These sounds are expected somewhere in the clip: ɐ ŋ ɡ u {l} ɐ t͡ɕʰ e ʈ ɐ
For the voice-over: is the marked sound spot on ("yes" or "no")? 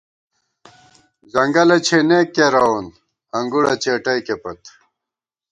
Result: no